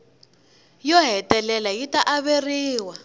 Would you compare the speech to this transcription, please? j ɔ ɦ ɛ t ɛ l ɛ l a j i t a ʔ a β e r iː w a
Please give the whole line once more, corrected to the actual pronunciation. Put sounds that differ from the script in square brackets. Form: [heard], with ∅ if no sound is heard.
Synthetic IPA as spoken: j ɔ ɦ ɛ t ɛ l ɛ l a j i t a ʔ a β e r iː w a